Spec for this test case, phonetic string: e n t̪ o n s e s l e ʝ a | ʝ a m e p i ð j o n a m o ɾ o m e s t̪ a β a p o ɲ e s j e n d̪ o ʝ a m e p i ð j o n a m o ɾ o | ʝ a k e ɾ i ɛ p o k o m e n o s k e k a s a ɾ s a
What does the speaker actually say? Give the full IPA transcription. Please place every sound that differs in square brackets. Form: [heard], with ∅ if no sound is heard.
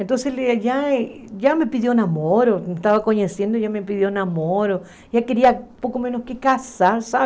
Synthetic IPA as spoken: e n t̪ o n s e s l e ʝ a | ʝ a m e p i ð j o n a m o ɾ o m e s t̪ a β a [k] o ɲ e s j e n d̪ o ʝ a m e p i ð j o n a m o ɾ o | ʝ a k e ɾ i [a] p o k o m e n o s k e k a s a ɾ s a